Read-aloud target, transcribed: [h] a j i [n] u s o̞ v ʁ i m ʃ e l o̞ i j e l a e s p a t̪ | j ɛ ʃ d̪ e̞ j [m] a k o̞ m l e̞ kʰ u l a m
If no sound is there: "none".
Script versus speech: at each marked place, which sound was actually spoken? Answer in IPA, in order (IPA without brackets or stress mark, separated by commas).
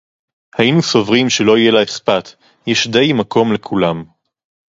h, n, m